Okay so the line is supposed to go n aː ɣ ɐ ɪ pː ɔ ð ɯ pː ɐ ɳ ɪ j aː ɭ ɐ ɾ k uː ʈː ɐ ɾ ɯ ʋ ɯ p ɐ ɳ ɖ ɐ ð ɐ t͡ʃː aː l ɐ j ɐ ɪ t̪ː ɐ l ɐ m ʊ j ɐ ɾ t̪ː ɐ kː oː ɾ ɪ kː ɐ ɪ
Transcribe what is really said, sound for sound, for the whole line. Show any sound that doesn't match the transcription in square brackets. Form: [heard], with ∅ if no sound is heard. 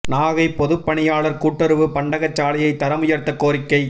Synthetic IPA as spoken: n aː ɣ ɐ ɪ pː ɔ ð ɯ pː ɐ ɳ ɪ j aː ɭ ɐ ɾ k uː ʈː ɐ ɾ ɯ ʋ ɯ p ɐ ɳ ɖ ɐ [ɣ] ɐ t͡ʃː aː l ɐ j ɐ ɪ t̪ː ɐ [ɾ] ɐ m ʊ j ɐ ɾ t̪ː ɐ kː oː ɾ ɪ kː ɐ ɪ